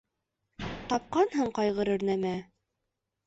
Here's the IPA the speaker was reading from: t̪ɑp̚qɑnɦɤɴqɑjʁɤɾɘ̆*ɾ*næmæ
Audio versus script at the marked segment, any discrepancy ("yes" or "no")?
no